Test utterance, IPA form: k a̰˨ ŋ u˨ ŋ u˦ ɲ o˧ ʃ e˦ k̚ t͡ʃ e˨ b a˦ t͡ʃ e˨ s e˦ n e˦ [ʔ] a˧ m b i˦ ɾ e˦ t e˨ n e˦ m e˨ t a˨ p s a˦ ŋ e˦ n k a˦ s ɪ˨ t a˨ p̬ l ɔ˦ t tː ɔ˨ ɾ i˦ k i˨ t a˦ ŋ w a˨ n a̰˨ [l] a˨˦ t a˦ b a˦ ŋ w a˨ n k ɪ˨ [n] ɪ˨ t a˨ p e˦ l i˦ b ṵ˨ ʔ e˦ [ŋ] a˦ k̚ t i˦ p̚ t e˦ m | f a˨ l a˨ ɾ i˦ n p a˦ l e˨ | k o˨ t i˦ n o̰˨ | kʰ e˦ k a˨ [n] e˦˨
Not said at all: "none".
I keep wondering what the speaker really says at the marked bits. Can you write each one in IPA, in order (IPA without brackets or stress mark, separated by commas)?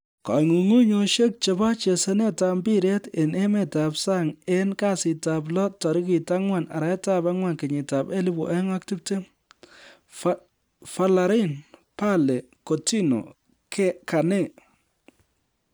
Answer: t, ɾ, ɲ, ŋ, n